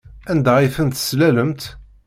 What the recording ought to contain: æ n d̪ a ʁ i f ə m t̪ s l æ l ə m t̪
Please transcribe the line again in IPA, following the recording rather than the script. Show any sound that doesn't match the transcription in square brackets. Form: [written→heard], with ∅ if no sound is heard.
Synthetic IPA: æ n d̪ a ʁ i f ə [m→n] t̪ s l æ l ə m t̪

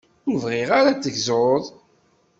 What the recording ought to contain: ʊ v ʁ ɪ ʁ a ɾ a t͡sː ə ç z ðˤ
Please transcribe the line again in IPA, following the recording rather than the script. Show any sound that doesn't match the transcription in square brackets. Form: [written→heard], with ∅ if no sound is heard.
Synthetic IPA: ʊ v ʁ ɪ ʁ a ɾ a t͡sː ə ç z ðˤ

